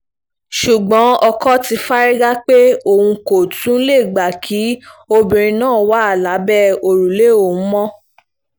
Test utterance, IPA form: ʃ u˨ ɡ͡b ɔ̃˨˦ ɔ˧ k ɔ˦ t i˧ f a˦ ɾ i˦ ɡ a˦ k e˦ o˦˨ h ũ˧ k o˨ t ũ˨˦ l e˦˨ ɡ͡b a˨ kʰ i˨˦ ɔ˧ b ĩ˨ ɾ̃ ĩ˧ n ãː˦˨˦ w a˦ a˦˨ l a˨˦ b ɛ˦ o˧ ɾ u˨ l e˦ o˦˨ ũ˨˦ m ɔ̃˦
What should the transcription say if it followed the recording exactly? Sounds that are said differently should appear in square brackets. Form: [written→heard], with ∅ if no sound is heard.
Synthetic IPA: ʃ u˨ ɡ͡b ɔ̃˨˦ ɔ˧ k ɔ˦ t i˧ f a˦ ɾ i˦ ɡ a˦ [k→k͡p] e˦ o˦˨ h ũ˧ k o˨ t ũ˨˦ l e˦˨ ɡ͡b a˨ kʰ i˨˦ [ɔ˧→o˧] b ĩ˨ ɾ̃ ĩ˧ n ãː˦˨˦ w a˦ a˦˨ l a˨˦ b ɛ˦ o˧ ɾ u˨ l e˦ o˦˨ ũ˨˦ m ɔ̃˦